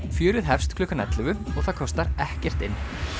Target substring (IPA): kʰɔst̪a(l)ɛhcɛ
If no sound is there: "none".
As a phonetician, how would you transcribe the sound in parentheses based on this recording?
ɾ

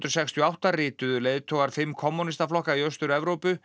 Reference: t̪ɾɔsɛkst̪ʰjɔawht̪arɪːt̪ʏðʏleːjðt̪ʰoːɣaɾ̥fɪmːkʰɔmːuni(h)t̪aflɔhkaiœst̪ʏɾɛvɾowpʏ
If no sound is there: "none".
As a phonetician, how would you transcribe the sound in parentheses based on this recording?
s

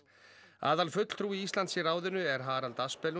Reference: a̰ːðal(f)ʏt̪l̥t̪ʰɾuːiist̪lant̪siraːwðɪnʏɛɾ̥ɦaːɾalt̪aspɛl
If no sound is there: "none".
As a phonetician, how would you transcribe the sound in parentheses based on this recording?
f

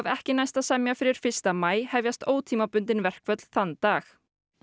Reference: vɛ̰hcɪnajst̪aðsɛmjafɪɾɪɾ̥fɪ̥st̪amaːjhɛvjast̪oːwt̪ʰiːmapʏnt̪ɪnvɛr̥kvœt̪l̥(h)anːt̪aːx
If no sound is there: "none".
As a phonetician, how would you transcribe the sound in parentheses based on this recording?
θ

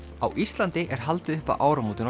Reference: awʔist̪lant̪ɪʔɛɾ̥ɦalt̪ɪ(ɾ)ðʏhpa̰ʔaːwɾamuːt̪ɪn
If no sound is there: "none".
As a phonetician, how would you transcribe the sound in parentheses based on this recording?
none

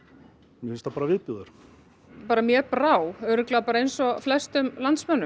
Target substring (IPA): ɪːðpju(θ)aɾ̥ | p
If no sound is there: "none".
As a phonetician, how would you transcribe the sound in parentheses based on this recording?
ð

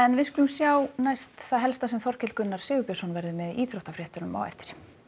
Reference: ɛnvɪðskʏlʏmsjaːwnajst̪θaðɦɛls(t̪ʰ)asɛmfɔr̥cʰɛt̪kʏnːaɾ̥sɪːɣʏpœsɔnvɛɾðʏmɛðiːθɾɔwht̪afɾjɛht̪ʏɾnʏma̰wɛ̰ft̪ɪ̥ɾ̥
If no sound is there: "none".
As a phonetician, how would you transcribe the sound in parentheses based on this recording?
t̪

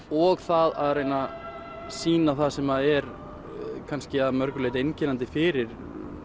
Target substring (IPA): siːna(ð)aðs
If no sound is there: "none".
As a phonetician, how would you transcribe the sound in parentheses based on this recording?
θ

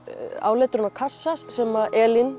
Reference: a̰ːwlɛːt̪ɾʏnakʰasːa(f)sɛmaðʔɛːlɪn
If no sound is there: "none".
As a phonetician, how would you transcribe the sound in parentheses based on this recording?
s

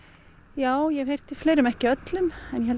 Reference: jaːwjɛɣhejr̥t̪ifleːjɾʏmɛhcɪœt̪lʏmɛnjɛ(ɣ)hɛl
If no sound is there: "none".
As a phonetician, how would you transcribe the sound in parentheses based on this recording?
none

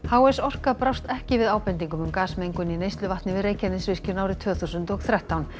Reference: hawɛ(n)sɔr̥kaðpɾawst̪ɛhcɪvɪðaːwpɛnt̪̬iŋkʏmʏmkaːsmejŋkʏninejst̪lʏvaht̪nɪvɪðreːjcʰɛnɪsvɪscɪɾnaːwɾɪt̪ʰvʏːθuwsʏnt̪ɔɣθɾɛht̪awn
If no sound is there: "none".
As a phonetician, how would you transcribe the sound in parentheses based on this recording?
none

